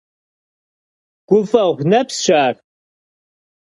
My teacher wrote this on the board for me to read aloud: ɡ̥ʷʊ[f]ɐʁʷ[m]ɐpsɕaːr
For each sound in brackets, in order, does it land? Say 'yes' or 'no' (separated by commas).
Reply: yes, no